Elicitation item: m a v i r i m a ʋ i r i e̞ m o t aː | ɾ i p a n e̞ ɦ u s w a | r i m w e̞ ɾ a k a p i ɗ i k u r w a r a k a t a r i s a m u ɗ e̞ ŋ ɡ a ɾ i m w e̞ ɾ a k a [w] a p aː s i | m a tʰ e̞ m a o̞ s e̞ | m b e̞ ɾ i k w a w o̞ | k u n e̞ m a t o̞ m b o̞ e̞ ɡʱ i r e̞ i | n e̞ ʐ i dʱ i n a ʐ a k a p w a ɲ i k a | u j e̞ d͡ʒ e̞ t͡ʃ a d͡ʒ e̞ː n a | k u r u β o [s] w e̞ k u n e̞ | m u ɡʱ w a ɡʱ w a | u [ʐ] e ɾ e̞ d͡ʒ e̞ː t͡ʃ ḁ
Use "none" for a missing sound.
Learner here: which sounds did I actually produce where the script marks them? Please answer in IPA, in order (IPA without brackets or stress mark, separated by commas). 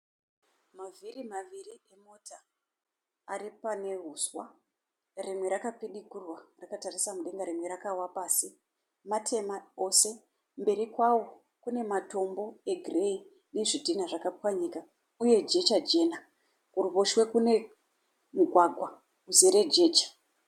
w, ʃ, z